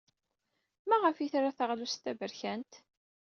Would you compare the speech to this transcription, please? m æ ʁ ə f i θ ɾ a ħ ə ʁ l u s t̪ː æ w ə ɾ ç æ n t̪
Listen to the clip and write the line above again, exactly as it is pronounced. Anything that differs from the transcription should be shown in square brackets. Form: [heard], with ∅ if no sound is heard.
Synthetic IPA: m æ ʁ ə f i θ ɾ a [θ] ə ʁ l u s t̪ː æ [v] ə ɾ ç æ n t̪